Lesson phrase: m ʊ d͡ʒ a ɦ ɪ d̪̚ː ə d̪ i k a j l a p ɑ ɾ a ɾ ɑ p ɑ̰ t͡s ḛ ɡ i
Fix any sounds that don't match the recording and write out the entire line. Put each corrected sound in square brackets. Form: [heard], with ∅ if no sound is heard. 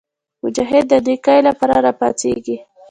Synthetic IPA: m ʊ d͡ʒ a ɦ ɪ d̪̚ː ə d̪ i k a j l a p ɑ ɾ a ɾ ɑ p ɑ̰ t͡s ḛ ɡ i